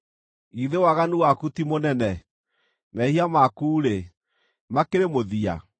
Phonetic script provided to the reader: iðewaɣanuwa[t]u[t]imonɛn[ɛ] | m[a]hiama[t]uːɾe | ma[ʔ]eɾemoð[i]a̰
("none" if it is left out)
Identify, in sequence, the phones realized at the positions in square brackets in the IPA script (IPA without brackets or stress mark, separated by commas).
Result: k, t, ɛ, ɛ, k, k, i